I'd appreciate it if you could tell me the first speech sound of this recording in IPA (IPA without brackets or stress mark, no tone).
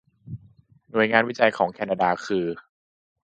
n